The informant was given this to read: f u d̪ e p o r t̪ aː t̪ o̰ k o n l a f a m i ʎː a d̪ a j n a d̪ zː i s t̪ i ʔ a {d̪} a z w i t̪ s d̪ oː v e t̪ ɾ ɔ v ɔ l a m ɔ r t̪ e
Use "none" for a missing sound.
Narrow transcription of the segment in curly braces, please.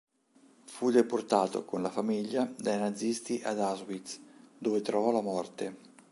d̪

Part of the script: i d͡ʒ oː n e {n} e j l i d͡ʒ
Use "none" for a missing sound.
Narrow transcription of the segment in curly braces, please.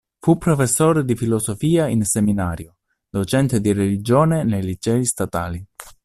n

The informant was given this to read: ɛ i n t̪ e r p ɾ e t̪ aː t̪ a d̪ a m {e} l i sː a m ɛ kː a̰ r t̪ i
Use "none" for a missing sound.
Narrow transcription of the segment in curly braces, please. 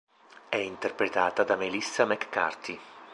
e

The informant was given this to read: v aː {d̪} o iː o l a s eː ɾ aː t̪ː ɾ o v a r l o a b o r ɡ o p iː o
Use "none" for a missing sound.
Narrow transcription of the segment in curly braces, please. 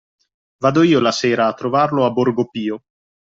d̪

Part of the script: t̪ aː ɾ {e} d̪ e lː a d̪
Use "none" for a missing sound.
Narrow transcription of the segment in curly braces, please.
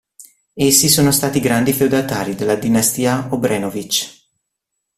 i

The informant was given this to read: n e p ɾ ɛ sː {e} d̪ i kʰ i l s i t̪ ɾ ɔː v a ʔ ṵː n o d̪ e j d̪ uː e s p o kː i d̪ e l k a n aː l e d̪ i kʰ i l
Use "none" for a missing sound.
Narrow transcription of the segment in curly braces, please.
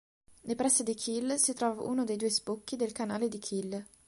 e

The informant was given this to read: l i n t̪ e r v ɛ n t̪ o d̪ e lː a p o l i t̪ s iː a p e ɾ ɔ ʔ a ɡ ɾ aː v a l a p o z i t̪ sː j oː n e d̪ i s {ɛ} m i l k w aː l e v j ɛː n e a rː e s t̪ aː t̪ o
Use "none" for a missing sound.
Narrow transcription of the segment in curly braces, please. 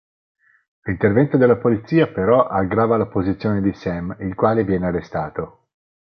ɛ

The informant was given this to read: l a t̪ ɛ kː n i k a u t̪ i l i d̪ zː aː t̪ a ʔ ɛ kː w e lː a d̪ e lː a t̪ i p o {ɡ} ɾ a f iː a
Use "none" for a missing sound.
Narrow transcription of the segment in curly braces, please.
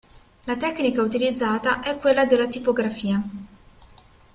ɡ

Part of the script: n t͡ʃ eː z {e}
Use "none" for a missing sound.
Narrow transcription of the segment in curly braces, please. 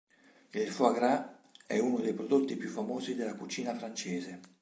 e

